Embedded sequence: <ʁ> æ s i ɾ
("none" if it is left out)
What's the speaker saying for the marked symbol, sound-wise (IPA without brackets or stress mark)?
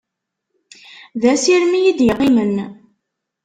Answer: ð